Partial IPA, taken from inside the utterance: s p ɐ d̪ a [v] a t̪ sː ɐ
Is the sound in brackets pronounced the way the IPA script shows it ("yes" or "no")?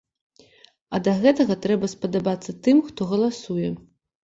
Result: no